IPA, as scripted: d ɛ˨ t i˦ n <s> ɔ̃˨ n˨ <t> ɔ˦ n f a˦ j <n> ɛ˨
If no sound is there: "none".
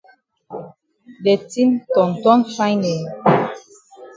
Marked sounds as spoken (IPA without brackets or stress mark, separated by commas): t, t, n